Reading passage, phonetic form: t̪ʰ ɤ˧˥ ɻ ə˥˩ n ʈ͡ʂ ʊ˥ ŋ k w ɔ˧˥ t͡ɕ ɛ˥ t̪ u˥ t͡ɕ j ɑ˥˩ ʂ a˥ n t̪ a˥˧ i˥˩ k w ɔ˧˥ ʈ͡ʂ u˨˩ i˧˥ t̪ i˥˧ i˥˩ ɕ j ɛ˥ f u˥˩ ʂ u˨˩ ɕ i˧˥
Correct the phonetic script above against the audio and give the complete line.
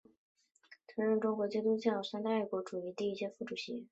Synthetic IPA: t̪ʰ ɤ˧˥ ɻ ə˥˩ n ʈ͡ʂ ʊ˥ ŋ k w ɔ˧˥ t͡ɕ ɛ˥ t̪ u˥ t͡ɕ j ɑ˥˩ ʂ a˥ n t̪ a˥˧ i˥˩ k w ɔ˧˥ ʈ͡ʂ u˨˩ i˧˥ t̪ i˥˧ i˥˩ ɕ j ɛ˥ f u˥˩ ʈ͡ʂ u˨˩ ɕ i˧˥